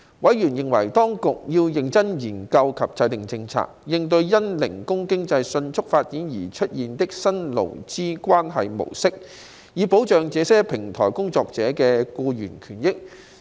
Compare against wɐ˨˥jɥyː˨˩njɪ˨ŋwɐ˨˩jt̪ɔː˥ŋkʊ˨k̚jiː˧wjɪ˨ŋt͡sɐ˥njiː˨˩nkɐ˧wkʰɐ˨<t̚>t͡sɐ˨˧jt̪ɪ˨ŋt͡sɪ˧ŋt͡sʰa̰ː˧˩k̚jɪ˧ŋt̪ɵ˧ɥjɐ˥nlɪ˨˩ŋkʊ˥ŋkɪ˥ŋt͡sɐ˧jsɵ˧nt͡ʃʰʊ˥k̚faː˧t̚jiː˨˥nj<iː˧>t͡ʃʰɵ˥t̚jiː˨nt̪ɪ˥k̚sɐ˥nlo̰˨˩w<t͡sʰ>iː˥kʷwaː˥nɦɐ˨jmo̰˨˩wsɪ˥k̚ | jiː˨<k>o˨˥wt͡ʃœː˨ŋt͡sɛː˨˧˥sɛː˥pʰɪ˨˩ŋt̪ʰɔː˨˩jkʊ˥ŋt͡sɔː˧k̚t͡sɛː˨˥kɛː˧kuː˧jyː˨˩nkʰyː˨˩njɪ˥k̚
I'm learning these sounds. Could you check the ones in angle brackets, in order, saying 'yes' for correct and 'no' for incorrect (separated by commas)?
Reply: no, no, no, no